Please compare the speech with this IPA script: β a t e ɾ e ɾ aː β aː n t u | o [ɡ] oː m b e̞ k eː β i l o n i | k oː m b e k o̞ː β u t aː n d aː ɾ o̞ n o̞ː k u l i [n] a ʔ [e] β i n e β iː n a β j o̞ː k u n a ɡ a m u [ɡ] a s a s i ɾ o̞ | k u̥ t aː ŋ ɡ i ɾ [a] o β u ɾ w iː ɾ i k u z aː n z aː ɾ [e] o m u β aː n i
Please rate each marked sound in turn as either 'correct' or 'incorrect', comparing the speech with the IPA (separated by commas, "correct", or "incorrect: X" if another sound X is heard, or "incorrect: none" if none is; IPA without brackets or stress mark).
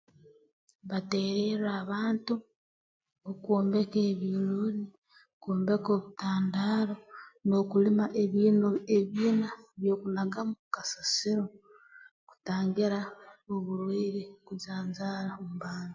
incorrect: k, incorrect: m, correct, incorrect: k, correct, incorrect: a